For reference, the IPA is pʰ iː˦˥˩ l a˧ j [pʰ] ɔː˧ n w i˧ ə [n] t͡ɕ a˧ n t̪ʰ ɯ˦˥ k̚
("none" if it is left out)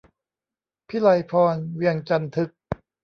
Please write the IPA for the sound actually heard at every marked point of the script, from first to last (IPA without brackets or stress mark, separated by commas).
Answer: pʰ, ŋ